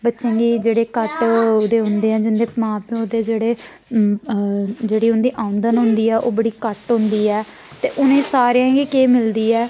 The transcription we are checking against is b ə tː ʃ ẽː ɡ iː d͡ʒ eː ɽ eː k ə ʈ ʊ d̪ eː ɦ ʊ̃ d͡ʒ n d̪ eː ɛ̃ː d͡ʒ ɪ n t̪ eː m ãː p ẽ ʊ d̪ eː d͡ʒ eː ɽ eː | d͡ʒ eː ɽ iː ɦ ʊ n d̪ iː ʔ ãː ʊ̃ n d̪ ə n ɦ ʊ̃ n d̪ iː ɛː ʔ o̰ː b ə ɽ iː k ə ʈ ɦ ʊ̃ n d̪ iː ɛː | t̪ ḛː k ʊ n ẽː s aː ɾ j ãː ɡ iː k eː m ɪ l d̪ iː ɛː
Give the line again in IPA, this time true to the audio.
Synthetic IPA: b ə tː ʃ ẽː ɡ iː d͡ʒ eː ɽ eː k ə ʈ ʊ d̪ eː ɦ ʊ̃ n d̪ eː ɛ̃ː d͡ʒ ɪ n d̪ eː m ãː p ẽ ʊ d̪ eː d͡ʒ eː ɽ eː | d͡ʒ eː ɽ iː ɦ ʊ n d̪ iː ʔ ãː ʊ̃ n d̪ ə n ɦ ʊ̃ n d̪ iː ɛː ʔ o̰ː b ə ɽ iː k ə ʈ ɦ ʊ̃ n d̪ iː ɛː | t̪ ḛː ʔ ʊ n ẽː s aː ɾ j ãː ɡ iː k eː m ɪ l d̪ iː ɛː